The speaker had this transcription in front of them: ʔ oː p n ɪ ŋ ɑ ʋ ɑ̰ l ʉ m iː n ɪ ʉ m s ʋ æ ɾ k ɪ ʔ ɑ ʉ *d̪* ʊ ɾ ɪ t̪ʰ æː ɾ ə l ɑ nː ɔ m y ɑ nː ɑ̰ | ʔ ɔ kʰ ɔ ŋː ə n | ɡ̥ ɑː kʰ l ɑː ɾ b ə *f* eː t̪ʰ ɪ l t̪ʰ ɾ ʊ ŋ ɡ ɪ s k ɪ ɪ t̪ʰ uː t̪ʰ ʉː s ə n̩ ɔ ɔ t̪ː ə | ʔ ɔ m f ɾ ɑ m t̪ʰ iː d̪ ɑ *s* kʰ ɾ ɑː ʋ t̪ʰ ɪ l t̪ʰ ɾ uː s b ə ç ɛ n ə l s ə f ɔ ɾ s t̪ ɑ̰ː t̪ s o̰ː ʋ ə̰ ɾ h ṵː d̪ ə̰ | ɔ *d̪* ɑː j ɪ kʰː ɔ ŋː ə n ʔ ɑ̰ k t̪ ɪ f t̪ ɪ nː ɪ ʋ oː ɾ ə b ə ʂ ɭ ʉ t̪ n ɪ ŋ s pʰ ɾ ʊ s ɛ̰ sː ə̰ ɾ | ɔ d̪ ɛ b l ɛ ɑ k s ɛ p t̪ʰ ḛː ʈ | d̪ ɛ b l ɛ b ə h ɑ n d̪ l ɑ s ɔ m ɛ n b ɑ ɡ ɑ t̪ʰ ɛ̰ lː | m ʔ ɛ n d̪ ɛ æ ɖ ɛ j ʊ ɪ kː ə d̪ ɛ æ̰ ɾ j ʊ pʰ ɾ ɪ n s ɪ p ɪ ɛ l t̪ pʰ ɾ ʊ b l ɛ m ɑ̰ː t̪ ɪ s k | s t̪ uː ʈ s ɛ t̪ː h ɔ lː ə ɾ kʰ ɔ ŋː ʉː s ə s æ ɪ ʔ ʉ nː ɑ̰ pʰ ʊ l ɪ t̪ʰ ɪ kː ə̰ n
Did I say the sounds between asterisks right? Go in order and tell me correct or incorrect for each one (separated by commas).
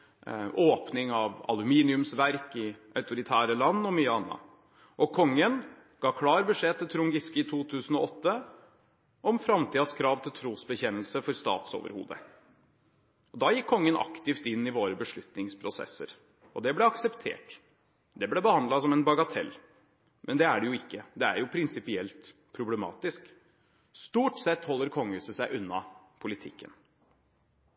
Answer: incorrect, incorrect, correct, correct